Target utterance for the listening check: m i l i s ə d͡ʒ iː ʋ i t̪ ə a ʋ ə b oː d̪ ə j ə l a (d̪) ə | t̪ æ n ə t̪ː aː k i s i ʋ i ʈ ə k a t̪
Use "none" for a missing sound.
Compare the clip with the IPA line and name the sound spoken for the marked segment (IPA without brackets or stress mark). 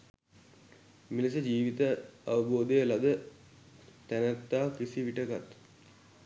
d̪